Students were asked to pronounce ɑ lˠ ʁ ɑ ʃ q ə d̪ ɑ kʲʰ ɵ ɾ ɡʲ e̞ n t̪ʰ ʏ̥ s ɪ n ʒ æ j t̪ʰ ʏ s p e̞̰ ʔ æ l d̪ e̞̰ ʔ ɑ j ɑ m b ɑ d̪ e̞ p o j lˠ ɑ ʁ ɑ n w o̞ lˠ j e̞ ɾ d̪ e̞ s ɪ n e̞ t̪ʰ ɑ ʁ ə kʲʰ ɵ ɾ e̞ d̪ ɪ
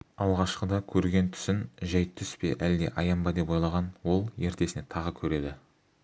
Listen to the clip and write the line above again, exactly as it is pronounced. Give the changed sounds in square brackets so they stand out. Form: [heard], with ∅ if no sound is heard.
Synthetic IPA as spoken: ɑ lˠ ʁ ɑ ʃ q ə d̪ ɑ kʲʰ ɵ ɾ ɡʲ e̞ n t̪ʰ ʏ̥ s ɪ n ʒ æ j t̪ʰ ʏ s p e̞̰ ʔ æ l d̪ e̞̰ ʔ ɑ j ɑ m b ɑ d̪ e̞ p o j lˠ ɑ ʁ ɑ n w o̞ lˠ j e̞ ɾ [t̪] e̞ s ɪ n e̞ t̪ʰ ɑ ʁ ə kʲʰ ɵ ɾ e̞ d̪ ɪ